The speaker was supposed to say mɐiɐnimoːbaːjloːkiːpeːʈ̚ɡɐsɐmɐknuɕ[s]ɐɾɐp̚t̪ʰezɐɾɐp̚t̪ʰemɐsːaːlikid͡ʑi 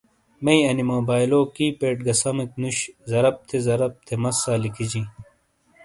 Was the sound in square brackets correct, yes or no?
no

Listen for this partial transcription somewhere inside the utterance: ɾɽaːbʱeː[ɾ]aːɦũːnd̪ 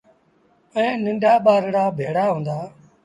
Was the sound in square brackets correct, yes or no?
no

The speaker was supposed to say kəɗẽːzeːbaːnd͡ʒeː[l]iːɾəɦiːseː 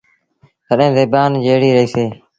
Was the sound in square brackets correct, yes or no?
no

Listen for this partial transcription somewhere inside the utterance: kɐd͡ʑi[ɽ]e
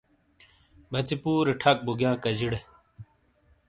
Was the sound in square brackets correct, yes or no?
yes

